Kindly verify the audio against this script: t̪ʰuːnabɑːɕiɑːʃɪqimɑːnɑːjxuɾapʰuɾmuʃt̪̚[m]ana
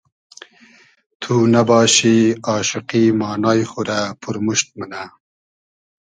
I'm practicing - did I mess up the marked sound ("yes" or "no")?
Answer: no